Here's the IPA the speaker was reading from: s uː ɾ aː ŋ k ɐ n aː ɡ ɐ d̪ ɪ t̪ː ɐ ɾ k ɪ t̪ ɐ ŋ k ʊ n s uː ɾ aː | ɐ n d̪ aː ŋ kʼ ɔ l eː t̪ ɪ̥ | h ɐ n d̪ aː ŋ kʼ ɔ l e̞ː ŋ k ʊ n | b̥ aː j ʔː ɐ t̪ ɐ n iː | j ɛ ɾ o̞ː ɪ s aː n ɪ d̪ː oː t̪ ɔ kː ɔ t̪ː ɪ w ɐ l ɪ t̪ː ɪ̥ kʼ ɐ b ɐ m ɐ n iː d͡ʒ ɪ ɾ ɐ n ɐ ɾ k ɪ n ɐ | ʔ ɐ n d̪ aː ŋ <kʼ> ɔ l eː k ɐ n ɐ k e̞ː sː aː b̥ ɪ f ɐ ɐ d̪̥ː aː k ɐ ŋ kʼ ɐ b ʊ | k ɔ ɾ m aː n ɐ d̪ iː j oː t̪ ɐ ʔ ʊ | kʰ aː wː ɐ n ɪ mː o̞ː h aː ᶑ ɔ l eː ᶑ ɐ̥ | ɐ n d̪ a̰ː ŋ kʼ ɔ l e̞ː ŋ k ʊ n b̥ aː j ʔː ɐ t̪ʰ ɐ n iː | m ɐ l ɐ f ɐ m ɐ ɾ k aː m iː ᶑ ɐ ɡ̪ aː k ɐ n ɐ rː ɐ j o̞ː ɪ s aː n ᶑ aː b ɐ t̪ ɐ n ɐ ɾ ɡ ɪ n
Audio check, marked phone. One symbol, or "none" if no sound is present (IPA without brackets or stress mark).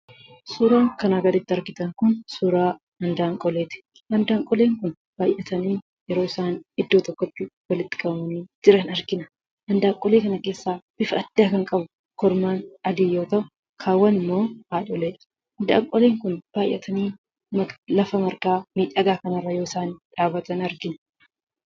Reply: kʼ